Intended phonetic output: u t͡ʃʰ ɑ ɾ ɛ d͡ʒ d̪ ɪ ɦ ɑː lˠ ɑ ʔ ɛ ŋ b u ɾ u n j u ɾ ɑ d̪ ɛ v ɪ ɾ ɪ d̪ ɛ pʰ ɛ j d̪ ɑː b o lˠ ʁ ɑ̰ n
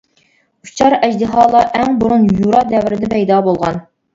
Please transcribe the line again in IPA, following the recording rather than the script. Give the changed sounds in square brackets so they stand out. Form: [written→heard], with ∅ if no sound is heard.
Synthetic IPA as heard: u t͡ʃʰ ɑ ɾ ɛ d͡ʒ d̪ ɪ ɦ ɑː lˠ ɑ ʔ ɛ ŋ b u ɾ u n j u ɾ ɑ d̪ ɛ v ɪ ɾ ɪ d̪ ɛ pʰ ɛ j d̪ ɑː b o lˠ ʁ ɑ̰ n